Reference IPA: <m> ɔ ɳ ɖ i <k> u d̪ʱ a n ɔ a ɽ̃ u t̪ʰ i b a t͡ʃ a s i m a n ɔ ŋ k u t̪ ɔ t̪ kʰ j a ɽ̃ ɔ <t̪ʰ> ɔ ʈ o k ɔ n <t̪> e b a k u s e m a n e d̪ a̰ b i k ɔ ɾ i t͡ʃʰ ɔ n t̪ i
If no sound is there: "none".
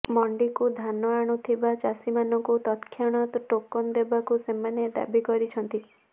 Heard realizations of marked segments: m, k, t̪, d̪

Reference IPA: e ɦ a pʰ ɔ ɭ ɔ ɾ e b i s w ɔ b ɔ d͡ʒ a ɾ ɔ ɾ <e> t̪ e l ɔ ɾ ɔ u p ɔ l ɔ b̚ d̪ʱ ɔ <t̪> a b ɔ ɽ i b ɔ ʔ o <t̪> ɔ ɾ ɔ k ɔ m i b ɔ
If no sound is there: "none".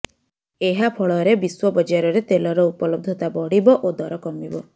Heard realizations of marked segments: e, t̪, d̪

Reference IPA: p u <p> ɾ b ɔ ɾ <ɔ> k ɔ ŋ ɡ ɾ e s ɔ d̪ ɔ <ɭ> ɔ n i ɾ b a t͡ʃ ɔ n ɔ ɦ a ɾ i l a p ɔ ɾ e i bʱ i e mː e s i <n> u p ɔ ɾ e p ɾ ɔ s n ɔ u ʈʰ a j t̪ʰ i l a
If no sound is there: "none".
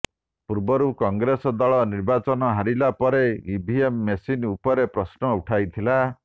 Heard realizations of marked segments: none, u, ɭ, n

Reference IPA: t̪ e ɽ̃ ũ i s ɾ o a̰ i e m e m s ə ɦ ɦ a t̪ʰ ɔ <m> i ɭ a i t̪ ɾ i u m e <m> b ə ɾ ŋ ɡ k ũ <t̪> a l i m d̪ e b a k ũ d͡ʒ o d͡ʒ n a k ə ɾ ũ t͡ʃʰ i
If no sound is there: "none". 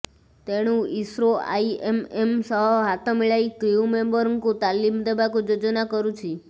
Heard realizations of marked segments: m, m, t̪

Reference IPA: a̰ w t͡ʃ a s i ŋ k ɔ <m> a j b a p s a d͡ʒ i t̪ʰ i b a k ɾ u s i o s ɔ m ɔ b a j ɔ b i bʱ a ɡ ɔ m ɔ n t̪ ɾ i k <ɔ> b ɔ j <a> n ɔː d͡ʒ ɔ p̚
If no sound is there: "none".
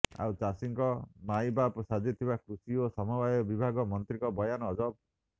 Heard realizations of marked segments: m, ɔ, a

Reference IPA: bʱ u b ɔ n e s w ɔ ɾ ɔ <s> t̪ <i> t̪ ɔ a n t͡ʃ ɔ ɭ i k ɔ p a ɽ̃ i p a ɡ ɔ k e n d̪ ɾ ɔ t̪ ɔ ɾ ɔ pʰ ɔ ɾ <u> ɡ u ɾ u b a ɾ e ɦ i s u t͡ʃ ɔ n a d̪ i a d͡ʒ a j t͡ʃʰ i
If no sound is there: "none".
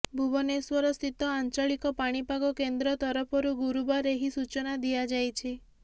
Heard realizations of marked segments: s, i, u

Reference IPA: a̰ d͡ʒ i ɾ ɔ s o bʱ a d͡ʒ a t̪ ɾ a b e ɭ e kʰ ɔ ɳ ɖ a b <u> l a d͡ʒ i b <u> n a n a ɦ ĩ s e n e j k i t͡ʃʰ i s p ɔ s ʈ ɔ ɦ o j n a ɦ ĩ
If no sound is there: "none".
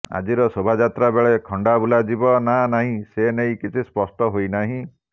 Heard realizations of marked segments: u, ɔ

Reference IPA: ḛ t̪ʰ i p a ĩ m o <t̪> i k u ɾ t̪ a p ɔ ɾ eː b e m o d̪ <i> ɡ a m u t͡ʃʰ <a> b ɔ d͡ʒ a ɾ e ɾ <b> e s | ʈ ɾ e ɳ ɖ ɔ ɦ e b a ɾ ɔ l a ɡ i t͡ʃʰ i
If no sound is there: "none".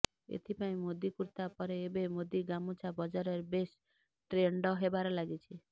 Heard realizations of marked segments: d̪, i, a, b

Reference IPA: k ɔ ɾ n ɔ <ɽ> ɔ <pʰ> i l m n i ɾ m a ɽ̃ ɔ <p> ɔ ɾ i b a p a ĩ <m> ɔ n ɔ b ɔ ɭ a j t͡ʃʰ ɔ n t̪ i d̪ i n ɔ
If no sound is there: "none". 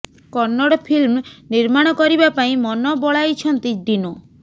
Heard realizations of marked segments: ɽ, pʰ, k, m

